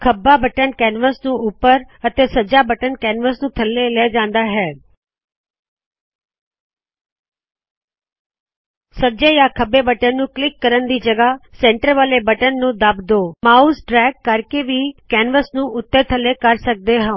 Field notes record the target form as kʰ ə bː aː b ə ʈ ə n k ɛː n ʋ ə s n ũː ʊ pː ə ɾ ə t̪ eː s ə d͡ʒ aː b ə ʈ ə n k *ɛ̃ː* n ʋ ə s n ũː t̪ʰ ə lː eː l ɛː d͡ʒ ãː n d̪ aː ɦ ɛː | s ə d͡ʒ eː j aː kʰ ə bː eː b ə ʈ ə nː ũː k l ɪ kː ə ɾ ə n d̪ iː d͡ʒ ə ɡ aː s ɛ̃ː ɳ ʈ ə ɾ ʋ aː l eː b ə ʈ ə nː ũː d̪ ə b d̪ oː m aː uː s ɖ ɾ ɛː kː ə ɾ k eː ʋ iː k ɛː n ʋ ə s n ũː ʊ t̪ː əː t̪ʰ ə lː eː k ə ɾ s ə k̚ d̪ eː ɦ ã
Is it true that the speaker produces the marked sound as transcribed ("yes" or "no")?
no